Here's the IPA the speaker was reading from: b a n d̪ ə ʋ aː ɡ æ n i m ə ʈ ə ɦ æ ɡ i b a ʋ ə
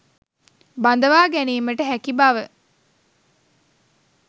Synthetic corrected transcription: b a n d̪ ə ʋ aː ɡ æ n iː m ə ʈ ə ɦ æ k i b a ʋ ə